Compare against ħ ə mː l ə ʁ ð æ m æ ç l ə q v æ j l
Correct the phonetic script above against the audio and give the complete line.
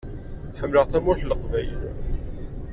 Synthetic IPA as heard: ħ ə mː l ə ʁ θ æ m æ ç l ə q v æ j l

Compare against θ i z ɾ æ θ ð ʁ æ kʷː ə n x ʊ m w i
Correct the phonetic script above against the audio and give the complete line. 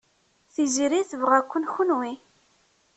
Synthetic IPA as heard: θ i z ɾ i θ v ʁ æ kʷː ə n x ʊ n w i

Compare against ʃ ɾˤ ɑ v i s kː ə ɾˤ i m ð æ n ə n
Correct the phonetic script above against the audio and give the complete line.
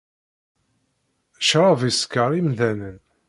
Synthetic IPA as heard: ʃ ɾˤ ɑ v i s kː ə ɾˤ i m ð æ n ə n

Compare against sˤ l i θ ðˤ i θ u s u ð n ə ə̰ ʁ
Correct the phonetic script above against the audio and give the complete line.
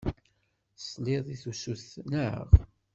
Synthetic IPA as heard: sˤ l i ðˤ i θ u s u θ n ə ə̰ ʁ

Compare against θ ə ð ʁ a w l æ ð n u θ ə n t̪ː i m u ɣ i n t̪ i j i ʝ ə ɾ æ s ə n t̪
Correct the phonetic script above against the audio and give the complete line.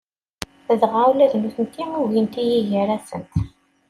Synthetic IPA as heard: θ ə ð ʁ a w l æ ð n u θ ə n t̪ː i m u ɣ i n t̪ i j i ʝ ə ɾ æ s ə n t̪

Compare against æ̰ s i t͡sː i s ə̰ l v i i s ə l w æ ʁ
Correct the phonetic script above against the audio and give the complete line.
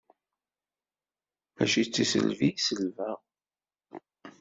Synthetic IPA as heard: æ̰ ʃ i t͡sː i s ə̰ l v i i s ə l v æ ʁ

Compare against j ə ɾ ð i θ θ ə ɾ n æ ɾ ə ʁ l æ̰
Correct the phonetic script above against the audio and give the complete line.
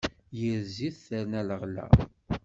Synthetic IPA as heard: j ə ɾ z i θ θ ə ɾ n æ l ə ʁ l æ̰

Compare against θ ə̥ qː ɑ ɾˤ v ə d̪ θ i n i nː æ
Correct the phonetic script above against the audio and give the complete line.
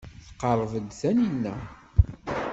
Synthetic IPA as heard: θ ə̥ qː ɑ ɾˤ v ə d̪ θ æ n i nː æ

